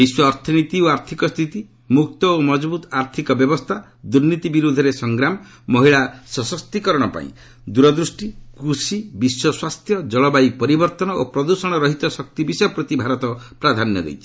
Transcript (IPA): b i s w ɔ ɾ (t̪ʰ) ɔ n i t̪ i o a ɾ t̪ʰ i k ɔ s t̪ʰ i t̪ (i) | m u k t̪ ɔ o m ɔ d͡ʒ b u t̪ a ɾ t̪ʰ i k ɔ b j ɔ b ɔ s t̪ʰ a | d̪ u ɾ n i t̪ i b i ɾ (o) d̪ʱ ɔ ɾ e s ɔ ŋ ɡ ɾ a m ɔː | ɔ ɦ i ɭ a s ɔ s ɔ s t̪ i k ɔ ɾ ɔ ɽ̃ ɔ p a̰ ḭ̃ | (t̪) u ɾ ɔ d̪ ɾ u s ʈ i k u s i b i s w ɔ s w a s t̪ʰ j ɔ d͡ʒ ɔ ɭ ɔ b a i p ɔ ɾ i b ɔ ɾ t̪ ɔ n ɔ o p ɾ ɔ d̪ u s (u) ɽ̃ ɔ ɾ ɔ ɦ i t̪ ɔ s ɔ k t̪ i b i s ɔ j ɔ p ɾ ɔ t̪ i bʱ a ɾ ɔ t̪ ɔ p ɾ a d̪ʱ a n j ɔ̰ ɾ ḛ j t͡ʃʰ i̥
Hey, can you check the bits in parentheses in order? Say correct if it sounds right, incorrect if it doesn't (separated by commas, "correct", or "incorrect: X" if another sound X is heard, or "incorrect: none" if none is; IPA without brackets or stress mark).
correct, correct, incorrect: u, incorrect: d̪, incorrect: ɔ